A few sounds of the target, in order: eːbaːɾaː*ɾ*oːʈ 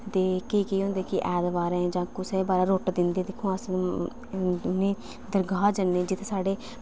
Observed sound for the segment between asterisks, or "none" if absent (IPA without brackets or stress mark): ɾ